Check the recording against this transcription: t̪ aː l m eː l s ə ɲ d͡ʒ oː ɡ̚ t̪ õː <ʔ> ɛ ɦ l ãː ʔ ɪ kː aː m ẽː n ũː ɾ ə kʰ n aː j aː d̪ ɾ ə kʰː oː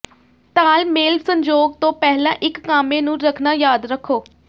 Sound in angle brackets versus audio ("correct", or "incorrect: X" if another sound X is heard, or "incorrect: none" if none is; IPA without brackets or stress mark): incorrect: p